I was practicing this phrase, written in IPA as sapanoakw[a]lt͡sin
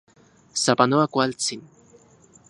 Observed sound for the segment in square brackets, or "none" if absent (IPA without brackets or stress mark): a